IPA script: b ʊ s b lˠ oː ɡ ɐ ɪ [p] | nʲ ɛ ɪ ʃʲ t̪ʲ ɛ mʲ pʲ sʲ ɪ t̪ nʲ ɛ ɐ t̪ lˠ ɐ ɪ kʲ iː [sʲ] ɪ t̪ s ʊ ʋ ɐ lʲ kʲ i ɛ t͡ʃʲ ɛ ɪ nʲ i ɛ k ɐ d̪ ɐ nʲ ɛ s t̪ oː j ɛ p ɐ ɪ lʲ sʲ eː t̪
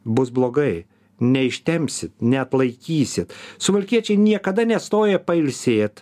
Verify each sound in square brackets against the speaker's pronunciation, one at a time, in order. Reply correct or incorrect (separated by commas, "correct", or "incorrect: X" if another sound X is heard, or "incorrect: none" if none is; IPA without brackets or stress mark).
incorrect: none, correct